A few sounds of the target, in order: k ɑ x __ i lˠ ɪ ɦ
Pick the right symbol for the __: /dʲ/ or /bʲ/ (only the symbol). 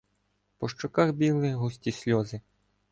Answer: bʲ